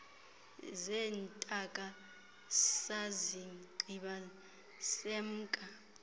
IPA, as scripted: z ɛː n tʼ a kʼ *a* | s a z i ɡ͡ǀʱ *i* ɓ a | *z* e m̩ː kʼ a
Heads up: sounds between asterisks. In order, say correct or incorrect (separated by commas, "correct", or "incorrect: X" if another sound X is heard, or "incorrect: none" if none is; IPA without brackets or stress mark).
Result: correct, correct, incorrect: s